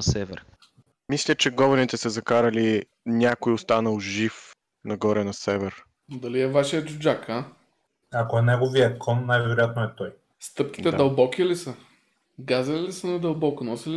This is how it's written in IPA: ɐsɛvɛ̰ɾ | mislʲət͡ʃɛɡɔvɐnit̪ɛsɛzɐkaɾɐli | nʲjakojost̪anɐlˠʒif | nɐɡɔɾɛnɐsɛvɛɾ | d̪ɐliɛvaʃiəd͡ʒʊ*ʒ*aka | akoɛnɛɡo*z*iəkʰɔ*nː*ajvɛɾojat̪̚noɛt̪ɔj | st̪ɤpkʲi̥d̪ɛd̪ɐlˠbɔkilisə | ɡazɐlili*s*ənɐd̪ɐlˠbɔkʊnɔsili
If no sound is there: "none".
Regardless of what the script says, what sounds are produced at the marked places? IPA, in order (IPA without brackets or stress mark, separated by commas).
d͡ʒ, v, nː, s